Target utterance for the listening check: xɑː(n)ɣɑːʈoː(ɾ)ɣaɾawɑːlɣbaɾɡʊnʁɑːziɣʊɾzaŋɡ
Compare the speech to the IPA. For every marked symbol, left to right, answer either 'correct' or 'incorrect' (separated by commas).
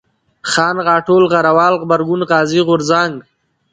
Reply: correct, incorrect